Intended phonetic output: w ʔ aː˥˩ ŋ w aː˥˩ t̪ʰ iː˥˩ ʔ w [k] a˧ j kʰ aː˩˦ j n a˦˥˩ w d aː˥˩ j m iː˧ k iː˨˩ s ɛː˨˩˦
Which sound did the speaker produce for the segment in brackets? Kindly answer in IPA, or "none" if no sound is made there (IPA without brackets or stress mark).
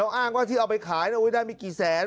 p